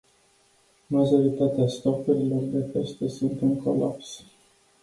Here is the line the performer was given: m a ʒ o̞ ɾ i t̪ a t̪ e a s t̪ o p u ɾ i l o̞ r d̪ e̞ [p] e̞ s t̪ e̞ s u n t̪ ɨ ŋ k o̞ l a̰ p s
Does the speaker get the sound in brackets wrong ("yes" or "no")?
no